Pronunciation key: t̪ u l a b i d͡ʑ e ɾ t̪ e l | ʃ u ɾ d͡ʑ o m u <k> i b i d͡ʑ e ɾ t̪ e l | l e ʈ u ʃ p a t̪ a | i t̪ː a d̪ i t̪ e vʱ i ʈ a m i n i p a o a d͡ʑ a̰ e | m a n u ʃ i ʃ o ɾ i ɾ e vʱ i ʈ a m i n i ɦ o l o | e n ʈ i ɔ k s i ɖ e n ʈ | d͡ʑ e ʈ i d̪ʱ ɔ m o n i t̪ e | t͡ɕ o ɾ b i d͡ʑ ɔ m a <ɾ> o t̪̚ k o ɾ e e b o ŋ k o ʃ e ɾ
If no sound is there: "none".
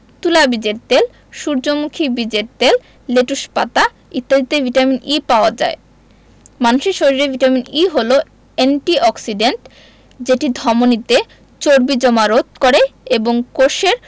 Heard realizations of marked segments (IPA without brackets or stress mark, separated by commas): kʰ, ɾ